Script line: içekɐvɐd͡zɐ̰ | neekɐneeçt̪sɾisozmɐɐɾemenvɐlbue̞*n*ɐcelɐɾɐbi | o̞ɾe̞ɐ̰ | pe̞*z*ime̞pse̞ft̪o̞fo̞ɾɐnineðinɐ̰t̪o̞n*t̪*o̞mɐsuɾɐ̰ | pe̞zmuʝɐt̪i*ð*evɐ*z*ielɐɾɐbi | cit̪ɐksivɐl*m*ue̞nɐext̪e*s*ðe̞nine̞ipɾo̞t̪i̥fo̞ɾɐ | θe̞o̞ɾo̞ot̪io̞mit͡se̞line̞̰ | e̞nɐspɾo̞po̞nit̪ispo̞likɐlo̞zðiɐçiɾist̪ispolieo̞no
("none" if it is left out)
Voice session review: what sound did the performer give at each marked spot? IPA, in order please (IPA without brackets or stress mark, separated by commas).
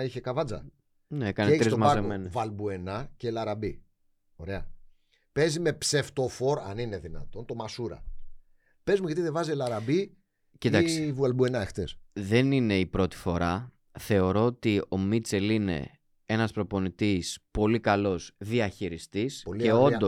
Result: n, z, t̪, ð, z, b, s